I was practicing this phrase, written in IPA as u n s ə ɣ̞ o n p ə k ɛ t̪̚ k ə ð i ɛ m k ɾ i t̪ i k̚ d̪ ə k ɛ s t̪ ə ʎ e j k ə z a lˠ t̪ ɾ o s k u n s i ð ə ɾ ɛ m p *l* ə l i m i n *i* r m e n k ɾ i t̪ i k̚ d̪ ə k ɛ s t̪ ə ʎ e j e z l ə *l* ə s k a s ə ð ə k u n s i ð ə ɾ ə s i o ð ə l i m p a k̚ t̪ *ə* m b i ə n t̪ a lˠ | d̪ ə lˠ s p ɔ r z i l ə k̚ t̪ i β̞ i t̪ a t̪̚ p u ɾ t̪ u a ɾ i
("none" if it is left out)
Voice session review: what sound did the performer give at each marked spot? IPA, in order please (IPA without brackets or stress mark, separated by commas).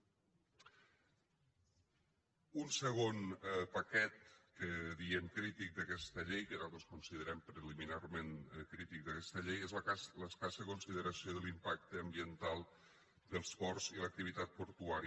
ɾ, a, l, əː